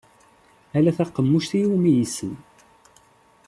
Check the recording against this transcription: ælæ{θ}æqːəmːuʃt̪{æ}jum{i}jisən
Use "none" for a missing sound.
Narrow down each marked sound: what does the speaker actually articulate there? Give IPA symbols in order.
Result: θ, i, i

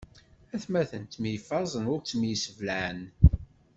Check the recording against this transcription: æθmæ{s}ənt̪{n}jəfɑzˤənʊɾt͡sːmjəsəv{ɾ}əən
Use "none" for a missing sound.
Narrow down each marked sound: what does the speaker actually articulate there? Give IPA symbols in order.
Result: θ, m, l

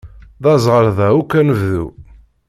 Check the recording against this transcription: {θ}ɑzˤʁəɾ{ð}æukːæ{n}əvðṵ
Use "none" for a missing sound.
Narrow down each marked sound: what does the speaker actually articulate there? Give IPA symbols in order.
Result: ð, ð, n

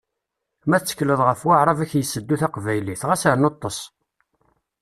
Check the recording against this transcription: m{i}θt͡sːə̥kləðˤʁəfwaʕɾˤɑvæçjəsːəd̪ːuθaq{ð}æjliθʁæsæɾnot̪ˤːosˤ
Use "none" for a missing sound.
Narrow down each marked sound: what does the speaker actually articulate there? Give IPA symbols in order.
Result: æ, v

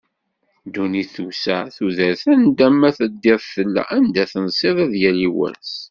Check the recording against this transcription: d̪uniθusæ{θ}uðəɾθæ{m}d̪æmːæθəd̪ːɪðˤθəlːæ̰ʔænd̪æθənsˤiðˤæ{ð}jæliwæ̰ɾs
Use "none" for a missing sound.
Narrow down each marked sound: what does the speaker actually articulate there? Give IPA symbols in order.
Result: θ, n, ð

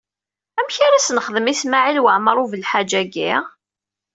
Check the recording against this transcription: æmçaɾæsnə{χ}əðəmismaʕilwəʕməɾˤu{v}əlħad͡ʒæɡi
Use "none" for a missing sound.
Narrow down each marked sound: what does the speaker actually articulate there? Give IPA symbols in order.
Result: χ, v

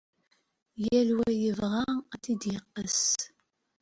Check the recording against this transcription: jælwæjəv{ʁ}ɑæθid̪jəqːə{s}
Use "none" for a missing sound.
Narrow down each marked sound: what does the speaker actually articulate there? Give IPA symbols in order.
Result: ʁ, s

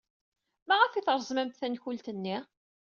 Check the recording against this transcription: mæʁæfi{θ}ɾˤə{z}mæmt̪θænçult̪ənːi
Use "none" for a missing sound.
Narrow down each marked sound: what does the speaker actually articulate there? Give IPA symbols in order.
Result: θ, z

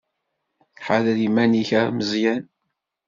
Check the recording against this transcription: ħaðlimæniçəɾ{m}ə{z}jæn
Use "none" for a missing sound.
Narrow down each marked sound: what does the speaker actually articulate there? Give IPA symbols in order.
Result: m, z

